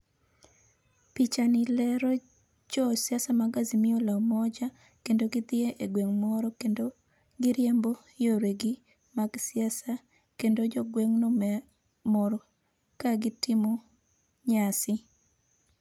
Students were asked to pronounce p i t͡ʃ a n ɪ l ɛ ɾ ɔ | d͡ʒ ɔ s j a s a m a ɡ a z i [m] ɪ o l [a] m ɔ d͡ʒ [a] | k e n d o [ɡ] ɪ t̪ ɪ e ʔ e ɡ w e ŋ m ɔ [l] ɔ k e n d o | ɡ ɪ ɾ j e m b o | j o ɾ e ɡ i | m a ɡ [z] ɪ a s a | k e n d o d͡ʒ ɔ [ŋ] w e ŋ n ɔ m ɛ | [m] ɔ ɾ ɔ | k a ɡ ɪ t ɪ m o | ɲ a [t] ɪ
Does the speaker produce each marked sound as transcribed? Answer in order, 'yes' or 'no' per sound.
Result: yes, yes, yes, yes, no, no, no, yes, no

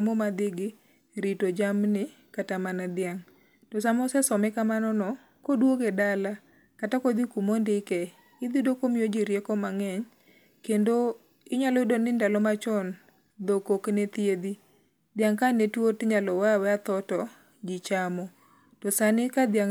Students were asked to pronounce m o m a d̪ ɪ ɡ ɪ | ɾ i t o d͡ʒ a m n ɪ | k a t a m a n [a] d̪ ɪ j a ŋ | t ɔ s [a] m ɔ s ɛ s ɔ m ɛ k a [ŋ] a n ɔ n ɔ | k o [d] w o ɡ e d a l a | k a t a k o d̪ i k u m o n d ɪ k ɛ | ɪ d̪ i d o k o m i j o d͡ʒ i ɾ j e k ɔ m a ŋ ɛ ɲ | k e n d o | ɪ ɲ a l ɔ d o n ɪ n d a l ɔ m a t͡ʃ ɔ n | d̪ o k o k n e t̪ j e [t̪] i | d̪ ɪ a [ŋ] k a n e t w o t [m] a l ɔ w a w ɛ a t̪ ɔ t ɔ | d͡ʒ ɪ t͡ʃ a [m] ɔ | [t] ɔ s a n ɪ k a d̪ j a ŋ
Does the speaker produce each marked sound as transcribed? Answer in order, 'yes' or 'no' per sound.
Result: yes, yes, no, yes, no, yes, no, yes, yes

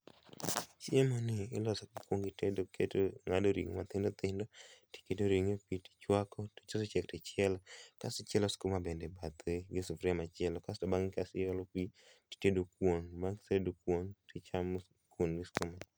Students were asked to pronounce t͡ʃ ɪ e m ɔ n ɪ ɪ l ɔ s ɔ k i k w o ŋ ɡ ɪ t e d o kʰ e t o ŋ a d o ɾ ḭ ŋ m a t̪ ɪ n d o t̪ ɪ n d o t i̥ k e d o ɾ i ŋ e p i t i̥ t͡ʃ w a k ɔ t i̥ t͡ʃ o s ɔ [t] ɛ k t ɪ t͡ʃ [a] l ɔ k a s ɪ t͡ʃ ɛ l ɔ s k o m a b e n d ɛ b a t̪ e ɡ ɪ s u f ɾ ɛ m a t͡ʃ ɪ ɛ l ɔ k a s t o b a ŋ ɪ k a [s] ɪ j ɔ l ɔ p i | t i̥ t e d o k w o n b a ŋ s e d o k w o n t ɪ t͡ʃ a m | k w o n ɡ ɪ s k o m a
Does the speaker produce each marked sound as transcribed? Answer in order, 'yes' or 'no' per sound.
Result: no, no, yes

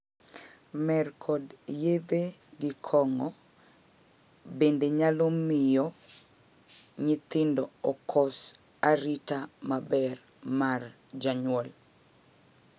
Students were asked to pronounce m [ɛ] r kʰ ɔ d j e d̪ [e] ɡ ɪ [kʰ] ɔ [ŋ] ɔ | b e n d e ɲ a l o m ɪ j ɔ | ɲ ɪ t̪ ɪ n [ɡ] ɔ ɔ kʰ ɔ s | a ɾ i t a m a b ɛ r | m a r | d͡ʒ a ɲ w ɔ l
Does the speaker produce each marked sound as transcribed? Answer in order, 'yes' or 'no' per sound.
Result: yes, yes, yes, yes, no

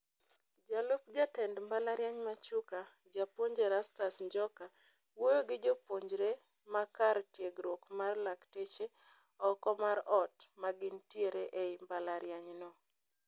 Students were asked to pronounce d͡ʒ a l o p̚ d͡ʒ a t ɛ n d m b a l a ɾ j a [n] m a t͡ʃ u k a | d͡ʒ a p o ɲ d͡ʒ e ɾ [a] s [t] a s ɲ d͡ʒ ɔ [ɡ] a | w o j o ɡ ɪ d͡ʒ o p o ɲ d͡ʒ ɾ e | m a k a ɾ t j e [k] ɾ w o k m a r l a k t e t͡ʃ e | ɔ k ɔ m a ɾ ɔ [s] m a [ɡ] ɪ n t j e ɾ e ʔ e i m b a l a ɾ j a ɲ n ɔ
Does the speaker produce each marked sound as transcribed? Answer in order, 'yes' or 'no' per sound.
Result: no, yes, yes, no, no, no, yes

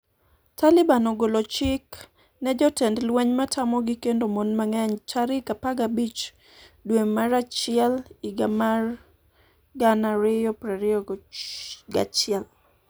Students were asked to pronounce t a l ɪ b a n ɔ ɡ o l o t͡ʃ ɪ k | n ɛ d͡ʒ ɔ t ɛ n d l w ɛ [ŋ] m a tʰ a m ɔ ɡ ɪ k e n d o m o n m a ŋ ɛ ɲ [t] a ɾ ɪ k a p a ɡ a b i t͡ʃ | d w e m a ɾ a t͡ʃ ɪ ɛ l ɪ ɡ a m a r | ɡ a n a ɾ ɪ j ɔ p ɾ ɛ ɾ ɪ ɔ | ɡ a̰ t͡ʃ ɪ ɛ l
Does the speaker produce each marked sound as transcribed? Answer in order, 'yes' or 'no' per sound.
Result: no, no

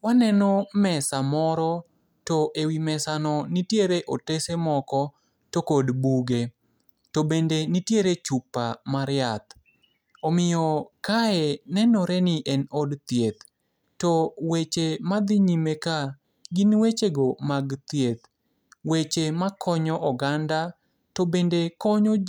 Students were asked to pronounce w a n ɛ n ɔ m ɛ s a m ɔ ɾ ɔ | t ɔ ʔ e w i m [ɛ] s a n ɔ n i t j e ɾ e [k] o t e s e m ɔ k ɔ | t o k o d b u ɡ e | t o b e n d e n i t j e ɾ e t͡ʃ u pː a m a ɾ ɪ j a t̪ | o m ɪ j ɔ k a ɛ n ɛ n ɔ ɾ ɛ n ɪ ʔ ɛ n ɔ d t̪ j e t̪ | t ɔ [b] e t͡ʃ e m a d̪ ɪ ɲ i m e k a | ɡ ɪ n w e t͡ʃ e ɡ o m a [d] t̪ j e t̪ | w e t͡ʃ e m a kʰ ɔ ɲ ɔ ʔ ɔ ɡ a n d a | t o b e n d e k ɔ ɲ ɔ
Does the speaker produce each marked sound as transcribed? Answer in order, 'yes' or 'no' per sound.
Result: yes, no, no, no

